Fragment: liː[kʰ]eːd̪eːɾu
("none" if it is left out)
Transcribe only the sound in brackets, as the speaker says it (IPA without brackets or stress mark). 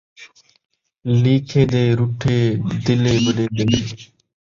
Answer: kʰ